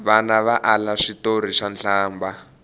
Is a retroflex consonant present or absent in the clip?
present